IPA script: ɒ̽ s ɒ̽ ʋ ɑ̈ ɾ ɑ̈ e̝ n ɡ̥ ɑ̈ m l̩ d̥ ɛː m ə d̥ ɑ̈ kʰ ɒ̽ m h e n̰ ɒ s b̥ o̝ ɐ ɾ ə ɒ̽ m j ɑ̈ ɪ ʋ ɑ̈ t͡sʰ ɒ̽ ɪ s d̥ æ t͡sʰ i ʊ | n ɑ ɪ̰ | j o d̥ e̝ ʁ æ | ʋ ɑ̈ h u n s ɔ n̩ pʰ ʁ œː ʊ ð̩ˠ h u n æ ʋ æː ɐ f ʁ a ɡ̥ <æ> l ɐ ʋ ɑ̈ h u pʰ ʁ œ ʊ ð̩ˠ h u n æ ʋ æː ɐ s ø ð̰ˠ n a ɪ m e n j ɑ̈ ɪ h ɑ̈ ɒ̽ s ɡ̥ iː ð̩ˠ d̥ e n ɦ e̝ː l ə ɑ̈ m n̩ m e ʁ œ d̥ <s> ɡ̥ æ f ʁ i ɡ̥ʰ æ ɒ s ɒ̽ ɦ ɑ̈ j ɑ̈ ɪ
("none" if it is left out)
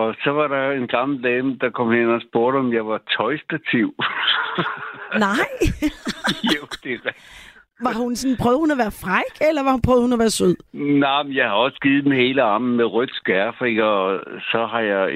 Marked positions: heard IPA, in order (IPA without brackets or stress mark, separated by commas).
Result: e, s